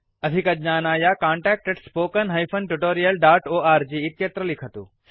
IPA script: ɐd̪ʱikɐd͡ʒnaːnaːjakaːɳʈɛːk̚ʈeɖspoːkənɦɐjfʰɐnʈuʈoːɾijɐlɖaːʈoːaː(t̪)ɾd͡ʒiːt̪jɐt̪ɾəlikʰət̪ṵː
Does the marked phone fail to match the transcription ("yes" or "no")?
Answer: yes